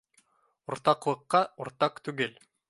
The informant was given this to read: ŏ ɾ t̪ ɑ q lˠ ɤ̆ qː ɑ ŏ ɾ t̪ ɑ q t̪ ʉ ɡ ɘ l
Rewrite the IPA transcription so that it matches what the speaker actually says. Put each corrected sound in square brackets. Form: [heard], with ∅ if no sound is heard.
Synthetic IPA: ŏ ɾ t̪ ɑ q lˠ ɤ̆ qː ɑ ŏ ɾ t̪ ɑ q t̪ ʉ ɡ ɘ l

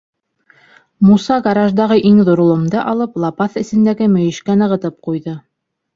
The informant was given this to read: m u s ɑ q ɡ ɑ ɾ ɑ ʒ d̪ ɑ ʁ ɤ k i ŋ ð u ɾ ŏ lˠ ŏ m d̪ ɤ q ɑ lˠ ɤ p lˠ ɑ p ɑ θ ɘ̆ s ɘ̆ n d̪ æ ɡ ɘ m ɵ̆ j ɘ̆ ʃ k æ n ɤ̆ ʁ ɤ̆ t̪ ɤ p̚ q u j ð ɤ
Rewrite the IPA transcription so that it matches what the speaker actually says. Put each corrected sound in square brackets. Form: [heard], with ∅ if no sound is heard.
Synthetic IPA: m u s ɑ [∅] ɡ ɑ ɾ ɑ ʒ d̪ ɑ ʁ ɤ [ʔ] i ŋ ð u ɾ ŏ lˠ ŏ m d̪ ɤ [ʔ] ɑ lˠ ɤ p lˠ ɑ p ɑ θ ɘ̆ s ɘ̆ n d̪ æ ɡ ɘ m ɵ̆ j ɘ̆ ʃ k æ n ɤ̆ ʁ ɤ̆ t̪ ɤ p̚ q u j ð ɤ

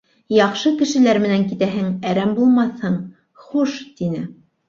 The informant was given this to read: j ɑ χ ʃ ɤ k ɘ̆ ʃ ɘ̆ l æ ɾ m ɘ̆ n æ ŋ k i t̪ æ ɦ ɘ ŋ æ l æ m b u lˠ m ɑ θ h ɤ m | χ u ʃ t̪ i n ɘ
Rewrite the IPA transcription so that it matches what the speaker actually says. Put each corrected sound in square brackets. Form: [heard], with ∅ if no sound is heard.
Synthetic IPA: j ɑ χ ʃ ɤ k ɘ̆ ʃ ɘ̆ l æ ɾ m ɘ̆ n æ ŋ k i t̪ æ ɦ ɘ ŋ æ [ɾ] æ m b u lˠ m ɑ θ h ɤ [ɴ] | χ u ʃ t̪ i n ɘ

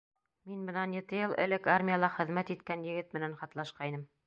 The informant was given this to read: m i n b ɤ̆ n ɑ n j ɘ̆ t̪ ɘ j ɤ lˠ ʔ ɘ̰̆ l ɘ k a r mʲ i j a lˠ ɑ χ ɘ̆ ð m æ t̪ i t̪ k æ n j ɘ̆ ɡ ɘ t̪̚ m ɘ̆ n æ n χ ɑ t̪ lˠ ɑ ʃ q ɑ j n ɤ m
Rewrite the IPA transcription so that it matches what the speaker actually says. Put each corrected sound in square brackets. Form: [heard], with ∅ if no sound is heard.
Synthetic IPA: m i n b ɤ̆ n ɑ n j ɘ̆ t̪ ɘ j ɤ lˠ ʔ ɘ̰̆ l ɘ k a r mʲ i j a lˠ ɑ χ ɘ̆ ð m æ t̪ i t̪ k æ n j ɘ̆ ɡ ɘ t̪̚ m ɘ̆ n æ n χ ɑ t̪ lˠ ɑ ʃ q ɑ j n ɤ m

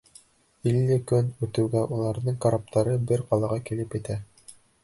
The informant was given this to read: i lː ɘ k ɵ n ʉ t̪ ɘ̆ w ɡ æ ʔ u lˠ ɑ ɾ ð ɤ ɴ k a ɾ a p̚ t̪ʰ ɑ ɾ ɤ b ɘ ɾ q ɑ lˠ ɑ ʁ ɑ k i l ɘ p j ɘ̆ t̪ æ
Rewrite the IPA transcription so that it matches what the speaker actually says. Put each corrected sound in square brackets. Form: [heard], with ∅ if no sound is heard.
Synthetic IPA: i lː ɘ k ɵ n ʉ t̪ ɘ̆ w ɡ æ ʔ u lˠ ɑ ɾ ð ɤ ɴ k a ɾ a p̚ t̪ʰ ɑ ɾ ɤ b ɘ ɾ q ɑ lˠ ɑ ʁ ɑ k i l ɘ p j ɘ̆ t̪ æ

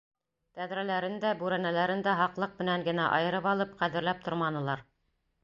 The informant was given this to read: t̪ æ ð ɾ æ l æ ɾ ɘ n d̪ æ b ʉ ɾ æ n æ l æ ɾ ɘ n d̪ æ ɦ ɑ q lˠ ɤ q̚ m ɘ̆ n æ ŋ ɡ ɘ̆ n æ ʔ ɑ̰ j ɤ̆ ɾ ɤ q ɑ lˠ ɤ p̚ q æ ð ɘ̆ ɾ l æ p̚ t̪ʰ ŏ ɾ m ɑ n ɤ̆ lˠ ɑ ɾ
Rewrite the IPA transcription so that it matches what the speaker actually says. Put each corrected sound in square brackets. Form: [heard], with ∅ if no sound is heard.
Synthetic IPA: t̪ æ ð ɾ æ l æ ɾ ɘ n d̪ æ b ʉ ɾ æ n æ l æ ɾ ɘ n d̪ æ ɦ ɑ q lˠ ɤ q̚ m ɘ̆ n æ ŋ ɡ ɘ̆ n æ ʔ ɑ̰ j ɤ̆ ɾ ɤ [p] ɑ lˠ ɤ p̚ q æ ð ɘ̆ ɾ l æ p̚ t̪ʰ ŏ ɾ m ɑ n ɤ̆ lˠ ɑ ɾ

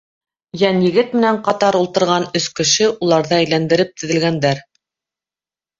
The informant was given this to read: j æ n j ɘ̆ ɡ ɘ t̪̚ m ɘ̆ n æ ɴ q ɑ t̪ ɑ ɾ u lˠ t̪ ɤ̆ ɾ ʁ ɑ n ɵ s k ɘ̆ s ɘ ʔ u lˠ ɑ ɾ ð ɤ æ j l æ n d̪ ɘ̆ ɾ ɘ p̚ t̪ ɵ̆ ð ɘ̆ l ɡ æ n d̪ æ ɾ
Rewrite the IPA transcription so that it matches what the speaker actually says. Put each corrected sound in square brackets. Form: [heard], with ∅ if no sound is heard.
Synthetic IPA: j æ n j ɘ̆ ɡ ɘ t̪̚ m ɘ̆ n æ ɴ q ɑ t̪ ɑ ɾ u lˠ t̪ ɤ̆ ɾ ʁ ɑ n ɵ s k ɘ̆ [ʃ] ɘ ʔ u lˠ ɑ ɾ ð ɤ æ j l æ n d̪ ɘ̆ ɾ ɘ p̚ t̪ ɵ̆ ð ɘ̆ l ɡ æ n d̪ æ ɾ

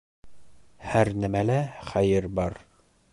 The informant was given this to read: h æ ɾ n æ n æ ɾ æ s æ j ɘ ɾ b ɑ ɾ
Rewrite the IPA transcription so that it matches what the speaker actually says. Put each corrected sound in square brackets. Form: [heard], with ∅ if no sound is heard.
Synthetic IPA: h æ ɾ n æ [m] æ [l] æ [χ] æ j ɘ ɾ b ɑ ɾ

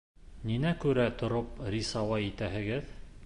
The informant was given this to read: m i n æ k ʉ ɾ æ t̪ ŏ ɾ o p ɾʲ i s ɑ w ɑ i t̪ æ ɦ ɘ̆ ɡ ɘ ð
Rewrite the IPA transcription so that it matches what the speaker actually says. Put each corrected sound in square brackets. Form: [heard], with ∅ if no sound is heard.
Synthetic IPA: [n] i n æ k ʉ ɾ æ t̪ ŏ ɾ o p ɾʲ i s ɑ w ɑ i t̪ æ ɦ ɘ̆ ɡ ɘ ð

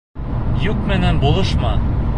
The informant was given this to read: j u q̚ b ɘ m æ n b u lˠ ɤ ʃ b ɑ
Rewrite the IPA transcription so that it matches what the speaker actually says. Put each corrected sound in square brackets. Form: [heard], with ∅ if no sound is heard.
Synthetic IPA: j u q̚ [m] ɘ [n] æ n b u lˠ ɤ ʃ [m] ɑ

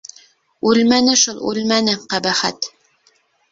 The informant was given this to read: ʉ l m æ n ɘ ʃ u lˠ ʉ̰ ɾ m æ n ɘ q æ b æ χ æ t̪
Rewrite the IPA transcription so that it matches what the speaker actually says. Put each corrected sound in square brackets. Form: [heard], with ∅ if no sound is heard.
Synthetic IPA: ʉ l m æ n ɘ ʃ u lˠ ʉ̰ [l] m æ n ɘ q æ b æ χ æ t̪

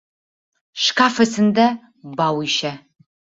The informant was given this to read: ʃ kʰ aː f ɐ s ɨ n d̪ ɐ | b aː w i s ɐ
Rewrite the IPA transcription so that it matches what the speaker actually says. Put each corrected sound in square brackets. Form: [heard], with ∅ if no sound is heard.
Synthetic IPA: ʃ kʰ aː f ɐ s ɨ n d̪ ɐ | b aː w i [ʃ] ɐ

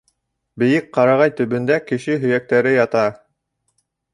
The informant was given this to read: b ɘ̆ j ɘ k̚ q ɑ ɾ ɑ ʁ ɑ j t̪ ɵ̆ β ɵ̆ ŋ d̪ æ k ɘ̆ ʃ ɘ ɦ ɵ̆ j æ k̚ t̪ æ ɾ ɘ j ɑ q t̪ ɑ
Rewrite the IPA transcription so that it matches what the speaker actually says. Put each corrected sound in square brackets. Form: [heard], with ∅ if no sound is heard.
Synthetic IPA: b ɘ̆ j ɘ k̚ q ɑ ɾ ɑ ʁ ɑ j t̪ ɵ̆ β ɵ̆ [n] d̪ æ k ɘ̆ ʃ ɘ ɦ ɵ̆ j æ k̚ t̪ æ ɾ ɘ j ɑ [∅] t̪ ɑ

